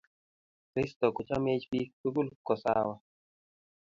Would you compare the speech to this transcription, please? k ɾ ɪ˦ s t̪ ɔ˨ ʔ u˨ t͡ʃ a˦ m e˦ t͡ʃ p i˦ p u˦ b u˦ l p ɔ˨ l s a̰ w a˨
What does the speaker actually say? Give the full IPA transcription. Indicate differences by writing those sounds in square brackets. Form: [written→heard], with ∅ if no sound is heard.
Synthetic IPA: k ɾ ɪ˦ s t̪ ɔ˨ [ʔ→k] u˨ t͡ʃ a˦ m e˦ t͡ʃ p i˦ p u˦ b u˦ l [p→k] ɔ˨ [l→∅] s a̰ w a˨